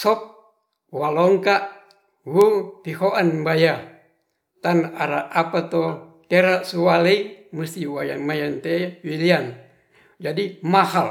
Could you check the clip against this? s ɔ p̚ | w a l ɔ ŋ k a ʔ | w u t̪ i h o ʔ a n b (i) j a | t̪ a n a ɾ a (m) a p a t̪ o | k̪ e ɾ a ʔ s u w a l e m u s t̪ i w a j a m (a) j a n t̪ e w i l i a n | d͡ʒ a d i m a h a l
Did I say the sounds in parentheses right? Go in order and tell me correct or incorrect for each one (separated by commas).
incorrect, incorrect, correct